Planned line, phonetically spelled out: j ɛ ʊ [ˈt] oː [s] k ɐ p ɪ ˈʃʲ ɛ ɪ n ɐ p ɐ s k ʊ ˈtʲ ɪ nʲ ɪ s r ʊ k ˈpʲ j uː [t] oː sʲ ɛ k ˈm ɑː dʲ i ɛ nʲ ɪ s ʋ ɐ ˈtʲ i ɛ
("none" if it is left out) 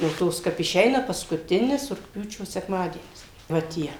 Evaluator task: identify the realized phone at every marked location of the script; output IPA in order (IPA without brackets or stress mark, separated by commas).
t, s, t͡ʃʲ